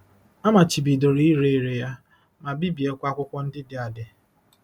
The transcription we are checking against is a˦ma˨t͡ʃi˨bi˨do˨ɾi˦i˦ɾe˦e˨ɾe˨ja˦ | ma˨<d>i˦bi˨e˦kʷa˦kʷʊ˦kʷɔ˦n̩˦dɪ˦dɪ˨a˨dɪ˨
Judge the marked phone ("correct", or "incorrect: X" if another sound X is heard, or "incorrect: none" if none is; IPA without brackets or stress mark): incorrect: b